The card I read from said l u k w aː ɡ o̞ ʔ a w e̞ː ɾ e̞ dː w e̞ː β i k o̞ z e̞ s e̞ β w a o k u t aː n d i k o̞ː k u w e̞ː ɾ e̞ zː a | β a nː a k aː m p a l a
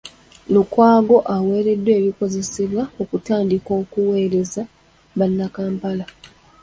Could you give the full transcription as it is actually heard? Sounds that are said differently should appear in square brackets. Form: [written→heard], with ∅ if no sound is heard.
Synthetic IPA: l u k w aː ɡ o̞ ʔ a w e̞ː ɾ e̞ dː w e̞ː β i k o̞ z e̞ s e̞ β w a o k u t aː n d i k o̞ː k u w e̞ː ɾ e̞ [zː→z] a | β a nː a k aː m p a l a